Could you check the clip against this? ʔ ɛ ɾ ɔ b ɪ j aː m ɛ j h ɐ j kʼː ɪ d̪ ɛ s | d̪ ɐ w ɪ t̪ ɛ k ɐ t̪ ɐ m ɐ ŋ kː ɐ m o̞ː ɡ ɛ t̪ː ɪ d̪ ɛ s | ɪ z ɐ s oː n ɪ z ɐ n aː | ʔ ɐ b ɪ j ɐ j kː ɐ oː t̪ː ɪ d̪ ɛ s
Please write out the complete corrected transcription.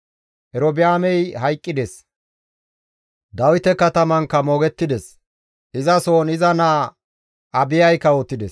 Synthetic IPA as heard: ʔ ɛ ɾ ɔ b ɪ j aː m ɛ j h ɐ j kʼː ɪ d̪ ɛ s | d̪ ɐ w ɪ t̪ ɛ k ɐ t̪ ɐ m ɐ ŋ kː ɐ m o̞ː ɡ ɛ t̪ː ɪ d̪ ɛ s | ɪ z ɐ s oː n ɪ z ɐ n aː | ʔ ɐ b ɪ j ɐ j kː ɐ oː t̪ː ɪ d̪ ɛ s